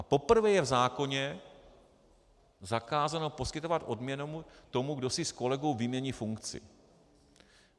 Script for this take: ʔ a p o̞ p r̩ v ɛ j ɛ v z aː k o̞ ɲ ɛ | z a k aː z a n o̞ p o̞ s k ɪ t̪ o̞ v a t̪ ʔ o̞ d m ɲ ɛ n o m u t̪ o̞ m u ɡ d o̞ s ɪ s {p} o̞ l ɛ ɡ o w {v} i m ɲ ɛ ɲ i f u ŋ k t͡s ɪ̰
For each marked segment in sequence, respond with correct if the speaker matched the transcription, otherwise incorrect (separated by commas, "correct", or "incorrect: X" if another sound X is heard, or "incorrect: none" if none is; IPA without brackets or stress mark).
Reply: incorrect: k, correct